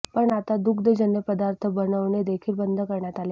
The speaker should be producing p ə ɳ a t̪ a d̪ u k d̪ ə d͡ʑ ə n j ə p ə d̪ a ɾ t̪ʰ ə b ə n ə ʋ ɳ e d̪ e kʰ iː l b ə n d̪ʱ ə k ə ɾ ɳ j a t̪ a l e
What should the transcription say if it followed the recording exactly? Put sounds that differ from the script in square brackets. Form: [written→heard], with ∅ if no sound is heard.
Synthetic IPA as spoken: p ə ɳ a t̪ a d̪ u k d̪ ə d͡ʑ ə n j ə p ə d̪ a ɾ t̪ʰ ə b ə n ə ʋ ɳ e d̪ e kʰ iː l b ə n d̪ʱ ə k ə ɾ ɳ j a t̪ a l e